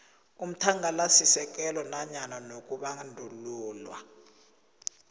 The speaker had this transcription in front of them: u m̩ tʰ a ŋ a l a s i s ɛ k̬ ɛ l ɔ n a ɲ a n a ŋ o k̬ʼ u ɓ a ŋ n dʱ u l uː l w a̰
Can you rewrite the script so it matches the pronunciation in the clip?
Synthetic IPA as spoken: u m̩ tʰ a ŋ a l a s i s ɛ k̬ ɛ l ɔ n a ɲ a n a n o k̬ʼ u ɓ a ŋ n dʱ u l uː l w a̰